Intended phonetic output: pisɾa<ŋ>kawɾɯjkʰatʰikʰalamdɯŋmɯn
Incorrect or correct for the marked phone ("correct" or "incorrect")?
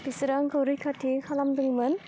correct